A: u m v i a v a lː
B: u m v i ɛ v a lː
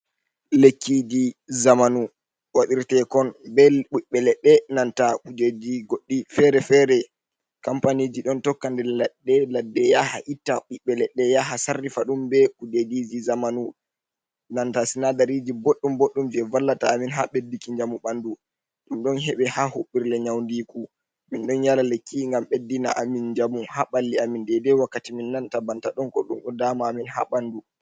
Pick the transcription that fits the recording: B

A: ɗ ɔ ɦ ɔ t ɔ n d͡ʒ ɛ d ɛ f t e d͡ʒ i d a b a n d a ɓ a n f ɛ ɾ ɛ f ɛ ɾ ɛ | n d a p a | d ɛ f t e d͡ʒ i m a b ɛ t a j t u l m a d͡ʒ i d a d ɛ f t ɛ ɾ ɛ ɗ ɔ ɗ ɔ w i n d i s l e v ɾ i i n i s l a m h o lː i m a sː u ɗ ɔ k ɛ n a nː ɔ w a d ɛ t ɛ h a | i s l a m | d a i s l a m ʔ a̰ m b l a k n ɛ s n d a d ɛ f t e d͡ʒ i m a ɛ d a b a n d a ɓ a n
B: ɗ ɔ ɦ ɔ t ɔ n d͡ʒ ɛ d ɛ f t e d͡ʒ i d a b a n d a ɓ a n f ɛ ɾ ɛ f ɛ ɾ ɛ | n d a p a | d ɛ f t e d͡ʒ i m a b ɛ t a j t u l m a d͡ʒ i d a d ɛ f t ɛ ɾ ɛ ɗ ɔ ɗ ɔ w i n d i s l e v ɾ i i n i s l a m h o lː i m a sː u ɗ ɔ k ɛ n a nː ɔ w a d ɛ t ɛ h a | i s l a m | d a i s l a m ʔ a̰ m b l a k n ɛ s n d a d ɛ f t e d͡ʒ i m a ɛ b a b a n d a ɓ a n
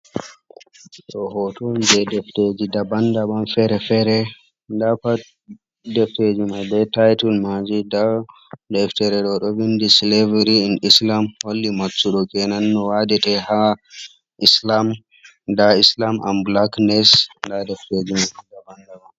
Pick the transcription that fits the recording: A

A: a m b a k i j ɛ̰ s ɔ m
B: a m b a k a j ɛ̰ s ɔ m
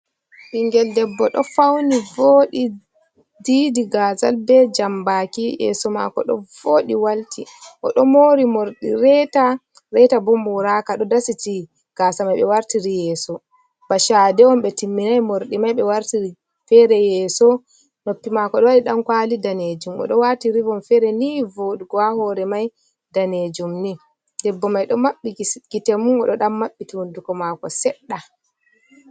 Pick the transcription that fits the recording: A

